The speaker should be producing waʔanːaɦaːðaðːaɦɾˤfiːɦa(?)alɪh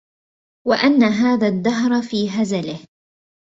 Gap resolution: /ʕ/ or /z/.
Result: z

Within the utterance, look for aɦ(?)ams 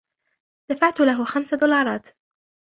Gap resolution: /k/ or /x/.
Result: x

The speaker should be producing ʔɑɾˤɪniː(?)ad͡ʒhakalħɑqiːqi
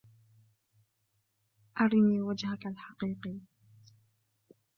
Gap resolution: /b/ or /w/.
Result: w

